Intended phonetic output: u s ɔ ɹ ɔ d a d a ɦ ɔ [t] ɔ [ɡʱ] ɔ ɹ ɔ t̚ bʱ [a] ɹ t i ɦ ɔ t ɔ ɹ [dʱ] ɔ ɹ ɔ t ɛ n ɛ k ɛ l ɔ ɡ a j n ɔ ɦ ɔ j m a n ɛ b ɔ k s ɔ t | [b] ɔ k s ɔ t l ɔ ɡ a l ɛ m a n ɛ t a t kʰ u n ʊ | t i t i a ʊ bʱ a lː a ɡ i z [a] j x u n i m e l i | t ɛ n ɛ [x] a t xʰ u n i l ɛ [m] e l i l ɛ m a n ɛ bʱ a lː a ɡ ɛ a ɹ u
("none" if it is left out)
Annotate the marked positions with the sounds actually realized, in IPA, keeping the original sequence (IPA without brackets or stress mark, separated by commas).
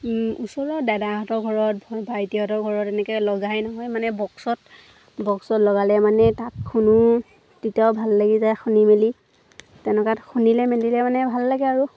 t, ɡʱ, a, ɡʱ, b, a, k, m